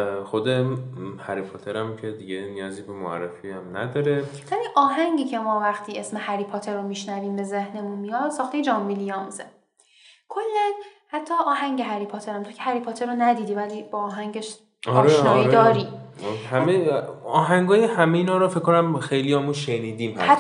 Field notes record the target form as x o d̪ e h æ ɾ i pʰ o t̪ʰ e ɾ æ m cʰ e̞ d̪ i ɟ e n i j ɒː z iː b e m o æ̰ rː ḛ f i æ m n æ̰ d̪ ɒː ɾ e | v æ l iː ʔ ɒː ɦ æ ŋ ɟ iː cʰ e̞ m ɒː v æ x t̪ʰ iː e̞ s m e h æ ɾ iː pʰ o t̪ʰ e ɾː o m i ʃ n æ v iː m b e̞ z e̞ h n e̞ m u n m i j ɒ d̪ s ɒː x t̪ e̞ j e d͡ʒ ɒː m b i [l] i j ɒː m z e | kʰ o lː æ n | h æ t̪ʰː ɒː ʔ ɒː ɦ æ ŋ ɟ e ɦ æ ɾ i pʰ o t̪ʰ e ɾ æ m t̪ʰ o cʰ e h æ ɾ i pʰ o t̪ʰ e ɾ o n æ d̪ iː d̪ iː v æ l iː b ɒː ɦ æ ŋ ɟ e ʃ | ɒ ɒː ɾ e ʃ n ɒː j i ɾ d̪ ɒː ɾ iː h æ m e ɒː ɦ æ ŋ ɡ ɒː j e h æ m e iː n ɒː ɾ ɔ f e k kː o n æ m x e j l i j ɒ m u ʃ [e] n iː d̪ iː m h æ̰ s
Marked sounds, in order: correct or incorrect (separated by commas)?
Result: correct, correct